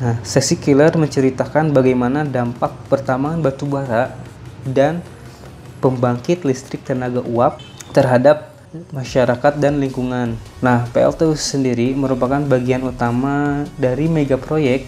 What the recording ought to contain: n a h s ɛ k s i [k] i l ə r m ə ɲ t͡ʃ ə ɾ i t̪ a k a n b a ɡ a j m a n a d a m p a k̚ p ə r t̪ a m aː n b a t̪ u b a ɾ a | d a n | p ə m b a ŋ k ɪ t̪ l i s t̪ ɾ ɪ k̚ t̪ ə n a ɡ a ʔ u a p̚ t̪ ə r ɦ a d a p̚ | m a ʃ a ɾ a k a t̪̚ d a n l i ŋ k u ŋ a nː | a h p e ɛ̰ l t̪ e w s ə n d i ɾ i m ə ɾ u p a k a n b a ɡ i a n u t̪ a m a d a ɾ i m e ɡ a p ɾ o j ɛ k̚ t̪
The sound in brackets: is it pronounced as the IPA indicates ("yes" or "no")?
yes